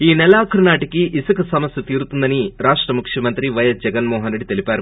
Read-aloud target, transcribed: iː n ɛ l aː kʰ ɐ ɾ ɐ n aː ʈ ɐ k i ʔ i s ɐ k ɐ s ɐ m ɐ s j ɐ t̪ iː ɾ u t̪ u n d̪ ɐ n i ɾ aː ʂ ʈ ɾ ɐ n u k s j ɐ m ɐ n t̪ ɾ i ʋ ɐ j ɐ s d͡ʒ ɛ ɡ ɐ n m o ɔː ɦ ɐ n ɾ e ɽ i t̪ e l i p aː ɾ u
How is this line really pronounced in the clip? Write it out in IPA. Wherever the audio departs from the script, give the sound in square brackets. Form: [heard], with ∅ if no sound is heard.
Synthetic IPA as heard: iː n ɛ l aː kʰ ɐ ɾ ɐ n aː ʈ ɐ k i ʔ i s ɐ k ɐ s ɐ m ɐ s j ɐ t̪ iː ɾ u t̪ u n d̪ ɐ n i ɾ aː ʂ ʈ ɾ ɐ [m] u k [ʂ] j ɐ m ɐ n t̪ ɾ i ʋ ɐ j ɐ s d͡ʒ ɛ ɡ ɐ n m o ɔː ɦ ɐ n ɾ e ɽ i t̪ e l i p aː ɾ u